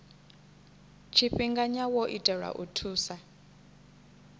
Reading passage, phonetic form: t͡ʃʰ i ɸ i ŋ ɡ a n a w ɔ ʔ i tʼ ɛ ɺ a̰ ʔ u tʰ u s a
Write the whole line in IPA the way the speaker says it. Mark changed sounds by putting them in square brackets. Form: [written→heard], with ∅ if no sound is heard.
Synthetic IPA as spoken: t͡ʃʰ i ɸ i ŋ ɡ a [n→ɲ] a w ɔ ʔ i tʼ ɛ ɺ a̰ ʔ u tʰ [u→uː] s a